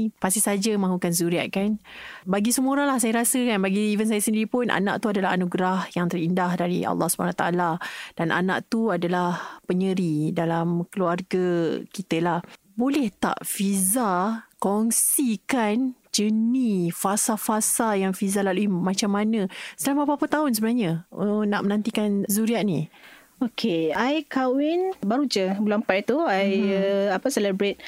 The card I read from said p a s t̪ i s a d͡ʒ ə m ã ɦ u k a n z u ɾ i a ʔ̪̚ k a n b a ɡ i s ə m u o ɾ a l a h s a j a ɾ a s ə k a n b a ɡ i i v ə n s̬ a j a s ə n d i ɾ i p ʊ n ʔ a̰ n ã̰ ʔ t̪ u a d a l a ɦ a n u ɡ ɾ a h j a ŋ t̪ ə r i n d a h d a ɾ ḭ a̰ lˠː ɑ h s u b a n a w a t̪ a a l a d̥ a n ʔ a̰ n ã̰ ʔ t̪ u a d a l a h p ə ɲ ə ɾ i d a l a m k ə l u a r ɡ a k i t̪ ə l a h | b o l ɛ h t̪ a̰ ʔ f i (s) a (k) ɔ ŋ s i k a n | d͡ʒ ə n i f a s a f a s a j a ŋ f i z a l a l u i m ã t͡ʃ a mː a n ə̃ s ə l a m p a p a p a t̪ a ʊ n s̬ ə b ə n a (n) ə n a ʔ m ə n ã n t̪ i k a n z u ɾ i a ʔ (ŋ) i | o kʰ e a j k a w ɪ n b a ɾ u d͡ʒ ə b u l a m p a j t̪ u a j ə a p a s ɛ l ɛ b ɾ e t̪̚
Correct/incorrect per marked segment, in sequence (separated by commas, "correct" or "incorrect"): incorrect, correct, incorrect, incorrect